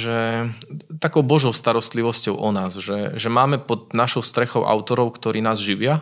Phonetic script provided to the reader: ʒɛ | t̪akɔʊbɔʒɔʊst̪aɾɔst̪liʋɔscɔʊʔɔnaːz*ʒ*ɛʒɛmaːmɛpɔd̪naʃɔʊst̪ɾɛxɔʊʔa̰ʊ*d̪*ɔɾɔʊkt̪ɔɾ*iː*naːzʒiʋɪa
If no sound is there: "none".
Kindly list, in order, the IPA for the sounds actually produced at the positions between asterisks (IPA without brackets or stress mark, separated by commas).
ʒ, t̪, iː